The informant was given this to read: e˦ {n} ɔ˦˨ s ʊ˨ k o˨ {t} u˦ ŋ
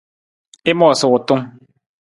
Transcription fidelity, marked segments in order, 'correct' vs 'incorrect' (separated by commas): incorrect, correct